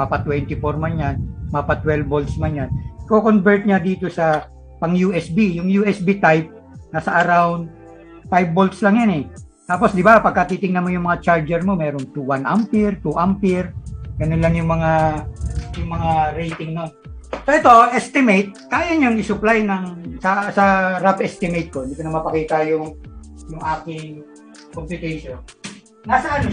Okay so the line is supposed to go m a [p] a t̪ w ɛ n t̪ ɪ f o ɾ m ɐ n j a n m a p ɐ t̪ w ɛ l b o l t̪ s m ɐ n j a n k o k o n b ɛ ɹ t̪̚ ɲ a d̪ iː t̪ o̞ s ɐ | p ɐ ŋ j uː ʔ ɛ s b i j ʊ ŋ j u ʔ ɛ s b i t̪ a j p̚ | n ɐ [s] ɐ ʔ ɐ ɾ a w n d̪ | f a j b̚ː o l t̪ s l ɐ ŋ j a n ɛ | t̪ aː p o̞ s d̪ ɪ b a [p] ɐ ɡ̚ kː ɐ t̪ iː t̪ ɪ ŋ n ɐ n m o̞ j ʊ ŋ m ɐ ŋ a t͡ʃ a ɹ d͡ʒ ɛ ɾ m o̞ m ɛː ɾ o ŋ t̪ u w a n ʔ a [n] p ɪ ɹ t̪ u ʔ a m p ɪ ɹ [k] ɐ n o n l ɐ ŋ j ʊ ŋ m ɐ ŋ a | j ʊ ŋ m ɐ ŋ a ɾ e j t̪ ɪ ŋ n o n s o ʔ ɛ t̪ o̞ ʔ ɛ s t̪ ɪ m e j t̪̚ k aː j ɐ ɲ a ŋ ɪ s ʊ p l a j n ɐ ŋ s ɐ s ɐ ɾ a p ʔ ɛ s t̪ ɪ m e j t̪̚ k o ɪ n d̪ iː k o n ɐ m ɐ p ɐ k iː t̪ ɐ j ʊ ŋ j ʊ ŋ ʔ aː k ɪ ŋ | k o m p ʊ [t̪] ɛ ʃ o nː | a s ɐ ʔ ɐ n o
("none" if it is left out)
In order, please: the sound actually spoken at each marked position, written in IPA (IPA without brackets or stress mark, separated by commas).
p, s, p, m, ɡ, t̪